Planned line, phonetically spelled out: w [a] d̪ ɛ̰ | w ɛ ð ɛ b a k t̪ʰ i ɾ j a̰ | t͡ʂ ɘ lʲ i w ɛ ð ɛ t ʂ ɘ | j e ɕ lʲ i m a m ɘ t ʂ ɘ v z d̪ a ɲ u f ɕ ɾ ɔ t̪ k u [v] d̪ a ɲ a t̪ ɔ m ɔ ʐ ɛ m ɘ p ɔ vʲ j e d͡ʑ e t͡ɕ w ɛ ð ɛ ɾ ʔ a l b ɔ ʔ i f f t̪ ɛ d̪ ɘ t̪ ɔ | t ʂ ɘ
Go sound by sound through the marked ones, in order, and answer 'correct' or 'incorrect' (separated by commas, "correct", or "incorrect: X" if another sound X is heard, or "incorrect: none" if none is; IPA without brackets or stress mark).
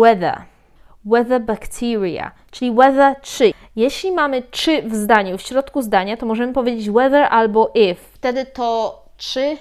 incorrect: ɛ, incorrect: z